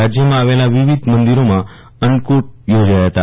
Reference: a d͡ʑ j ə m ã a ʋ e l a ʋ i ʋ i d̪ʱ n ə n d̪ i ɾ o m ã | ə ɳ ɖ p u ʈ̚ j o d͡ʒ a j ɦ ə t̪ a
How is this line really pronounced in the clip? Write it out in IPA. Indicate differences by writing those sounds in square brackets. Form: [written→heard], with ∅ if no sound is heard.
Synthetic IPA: a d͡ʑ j ə m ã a ʋ e l a ʋ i ʋ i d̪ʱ [n→m] ə n d̪ i ɾ o m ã | ə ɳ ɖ [p→k] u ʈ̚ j o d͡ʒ a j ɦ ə t̪ a

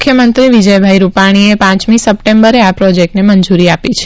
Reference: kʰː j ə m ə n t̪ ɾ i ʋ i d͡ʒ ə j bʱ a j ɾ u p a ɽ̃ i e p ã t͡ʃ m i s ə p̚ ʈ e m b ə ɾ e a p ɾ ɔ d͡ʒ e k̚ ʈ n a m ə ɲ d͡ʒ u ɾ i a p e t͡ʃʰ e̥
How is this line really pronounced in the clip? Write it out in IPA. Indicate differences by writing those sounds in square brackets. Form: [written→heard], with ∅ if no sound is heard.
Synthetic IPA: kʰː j ə m ə n t̪ ɾ i ʋ i d͡ʒ ə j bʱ a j ɾ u p a ɽ̃ i e p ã t͡ʃ m i s ə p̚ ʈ e m b ə ɾ e a p ɾ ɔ d͡ʒ e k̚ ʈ n [a→e] m ə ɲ d͡ʒ u ɾ i a p [e→i] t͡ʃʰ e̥

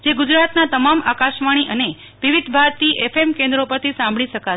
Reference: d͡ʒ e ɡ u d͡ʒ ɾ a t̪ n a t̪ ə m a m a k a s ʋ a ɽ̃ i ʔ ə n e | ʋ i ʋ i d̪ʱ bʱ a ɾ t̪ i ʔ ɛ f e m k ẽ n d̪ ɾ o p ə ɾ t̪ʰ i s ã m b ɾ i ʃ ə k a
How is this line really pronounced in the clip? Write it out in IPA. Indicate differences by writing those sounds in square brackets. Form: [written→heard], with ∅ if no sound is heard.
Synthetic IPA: d͡ʒ e ɡ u d͡ʒ ɾ a t̪ n a t̪ ə m a m a k a [s→ʃ] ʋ a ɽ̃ i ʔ ə n e | ʋ i ʋ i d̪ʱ bʱ a ɾ t̪ i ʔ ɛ f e m k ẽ n d̪ ɾ o p ə ɾ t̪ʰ i s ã m b [ɾ→ɭ] i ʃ ə k a

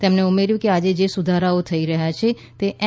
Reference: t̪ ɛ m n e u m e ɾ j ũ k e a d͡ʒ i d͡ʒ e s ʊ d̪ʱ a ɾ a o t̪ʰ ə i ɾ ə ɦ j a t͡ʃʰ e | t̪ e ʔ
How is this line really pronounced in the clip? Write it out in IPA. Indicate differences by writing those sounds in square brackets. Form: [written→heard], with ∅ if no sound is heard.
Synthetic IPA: t̪ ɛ m n e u m e ɾ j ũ k e a d͡ʒ [i→e] d͡ʒ e s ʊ d̪ʱ a ɾ a o t̪ʰ ə i ɾ ə ɦ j a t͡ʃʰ e | t̪ e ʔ

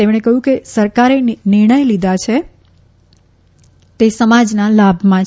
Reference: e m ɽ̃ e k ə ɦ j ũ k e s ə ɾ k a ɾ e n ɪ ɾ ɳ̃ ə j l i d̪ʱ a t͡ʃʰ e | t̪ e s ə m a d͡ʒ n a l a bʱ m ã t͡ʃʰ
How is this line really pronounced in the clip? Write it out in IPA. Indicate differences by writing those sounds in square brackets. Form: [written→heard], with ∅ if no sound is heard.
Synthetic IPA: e m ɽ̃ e k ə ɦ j ũ k e s ə ɾ k a ɾ e n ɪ ɾ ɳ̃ ə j l i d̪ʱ a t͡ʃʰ e | t̪ e s ə m a d͡ʒ n a l a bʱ m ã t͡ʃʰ

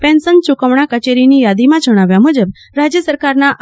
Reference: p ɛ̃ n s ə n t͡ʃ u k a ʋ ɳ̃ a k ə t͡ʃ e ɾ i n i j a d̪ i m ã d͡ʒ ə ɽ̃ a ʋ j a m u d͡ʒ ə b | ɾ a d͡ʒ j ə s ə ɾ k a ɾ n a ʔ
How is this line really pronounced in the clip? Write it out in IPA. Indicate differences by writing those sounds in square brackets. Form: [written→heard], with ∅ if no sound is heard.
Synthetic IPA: p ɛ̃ n s ə n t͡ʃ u k [a→ə] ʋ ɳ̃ a k ə t͡ʃ e ɾ i n i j a d̪ i m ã d͡ʒ ə ɽ̃ a ʋ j a m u d͡ʒ ə b | ɾ a d͡ʒ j ə s ə ɾ k a ɾ n a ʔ

